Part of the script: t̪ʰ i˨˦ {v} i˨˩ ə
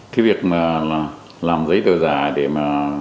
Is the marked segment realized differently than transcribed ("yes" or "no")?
no